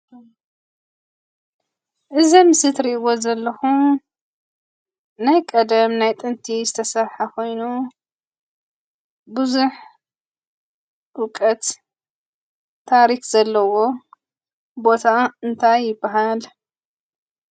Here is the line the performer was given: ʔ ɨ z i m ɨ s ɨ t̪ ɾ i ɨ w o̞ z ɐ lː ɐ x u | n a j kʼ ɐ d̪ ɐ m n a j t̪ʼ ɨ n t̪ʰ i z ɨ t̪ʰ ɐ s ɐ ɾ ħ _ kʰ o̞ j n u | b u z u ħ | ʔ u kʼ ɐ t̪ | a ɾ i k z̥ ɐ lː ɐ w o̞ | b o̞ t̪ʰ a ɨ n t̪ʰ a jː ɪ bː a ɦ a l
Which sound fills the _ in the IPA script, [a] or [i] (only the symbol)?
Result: a